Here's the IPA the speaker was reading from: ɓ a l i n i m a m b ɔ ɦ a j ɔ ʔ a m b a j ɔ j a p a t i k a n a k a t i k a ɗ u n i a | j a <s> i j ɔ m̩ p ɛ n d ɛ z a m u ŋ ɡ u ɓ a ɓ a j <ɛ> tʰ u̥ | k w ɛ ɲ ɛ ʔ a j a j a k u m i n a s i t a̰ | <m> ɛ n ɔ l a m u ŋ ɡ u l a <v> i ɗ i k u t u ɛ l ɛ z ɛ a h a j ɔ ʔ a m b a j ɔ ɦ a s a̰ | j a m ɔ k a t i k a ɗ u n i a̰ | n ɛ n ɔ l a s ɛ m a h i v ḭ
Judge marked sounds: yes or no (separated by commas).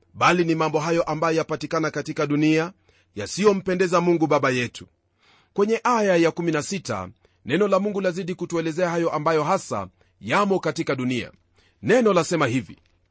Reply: yes, yes, no, no